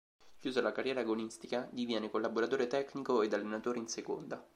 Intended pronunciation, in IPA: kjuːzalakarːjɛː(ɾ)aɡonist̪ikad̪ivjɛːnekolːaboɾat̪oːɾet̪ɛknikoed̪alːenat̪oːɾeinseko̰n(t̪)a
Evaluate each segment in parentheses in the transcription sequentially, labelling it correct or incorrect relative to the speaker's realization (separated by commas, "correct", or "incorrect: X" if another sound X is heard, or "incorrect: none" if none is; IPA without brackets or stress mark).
correct, incorrect: d̪